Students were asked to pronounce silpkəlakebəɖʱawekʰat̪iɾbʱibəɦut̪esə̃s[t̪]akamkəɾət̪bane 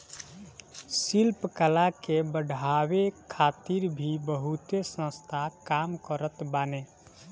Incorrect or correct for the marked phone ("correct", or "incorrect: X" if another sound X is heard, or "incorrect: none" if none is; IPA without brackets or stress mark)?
incorrect: t̪ʰ